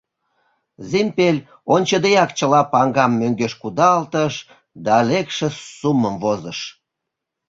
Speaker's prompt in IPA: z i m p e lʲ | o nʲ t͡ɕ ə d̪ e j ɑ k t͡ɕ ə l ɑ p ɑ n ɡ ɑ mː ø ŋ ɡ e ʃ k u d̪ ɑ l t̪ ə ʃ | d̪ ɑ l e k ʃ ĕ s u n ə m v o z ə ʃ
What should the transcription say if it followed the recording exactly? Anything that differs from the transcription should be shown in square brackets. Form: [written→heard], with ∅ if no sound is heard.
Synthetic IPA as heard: z i m p e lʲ | o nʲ t͡ɕ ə d̪ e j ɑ k t͡ɕ ə l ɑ p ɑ [n→ŋ] ɡ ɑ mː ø ŋ ɡ e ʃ k u d̪ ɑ l t̪ ə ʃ | d̪ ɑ l e k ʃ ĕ s u [n→m] ə m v o z ə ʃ

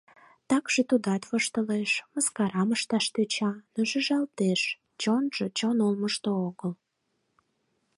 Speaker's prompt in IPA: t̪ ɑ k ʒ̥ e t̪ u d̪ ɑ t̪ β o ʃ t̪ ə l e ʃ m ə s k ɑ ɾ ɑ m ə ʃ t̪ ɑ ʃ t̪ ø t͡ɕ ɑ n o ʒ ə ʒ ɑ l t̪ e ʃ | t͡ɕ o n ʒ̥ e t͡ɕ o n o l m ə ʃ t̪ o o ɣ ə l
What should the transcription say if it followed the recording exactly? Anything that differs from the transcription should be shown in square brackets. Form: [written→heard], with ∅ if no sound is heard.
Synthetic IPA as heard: t̪ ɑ k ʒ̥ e t̪ u d̪ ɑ t̪ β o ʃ t̪ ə l e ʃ m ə s k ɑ ɾ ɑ m ə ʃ t̪ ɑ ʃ t̪ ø t͡ɕ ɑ n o ʒ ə ʒ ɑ l t̪ e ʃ | t͡ɕ o n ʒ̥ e t͡ɕ o n o l m ə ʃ t̪ o o ɣ ə l

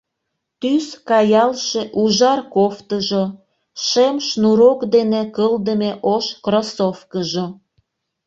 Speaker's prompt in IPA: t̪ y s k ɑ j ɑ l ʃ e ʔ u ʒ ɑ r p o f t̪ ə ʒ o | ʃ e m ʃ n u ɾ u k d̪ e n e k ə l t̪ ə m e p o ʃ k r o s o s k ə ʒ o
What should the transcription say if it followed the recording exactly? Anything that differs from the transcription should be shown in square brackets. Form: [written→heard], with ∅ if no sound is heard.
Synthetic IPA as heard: t̪ y s k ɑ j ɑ l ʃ e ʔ u ʒ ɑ r [p→k] o f t̪ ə ʒ o | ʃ e m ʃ n u ɾ [u→o] k d̪ e n e k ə l [t̪→d̪] ə m e [p→ʔ] o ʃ k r o s o [s→f] k ə ʒ o

